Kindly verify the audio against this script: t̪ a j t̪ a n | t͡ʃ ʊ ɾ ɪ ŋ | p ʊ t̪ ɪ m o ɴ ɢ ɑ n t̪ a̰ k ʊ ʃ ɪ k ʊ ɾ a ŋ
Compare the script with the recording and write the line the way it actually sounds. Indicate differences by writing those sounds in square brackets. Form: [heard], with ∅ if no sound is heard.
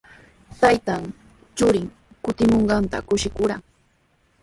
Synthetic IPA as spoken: t̪ a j t̪ a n | t͡ʃ ʊ ɾ ɪ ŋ | [k] ʊ t̪ ɪ m o ɴ ɢ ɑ n t̪ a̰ k ʊ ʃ ɪ k ʊ ɾ a ŋ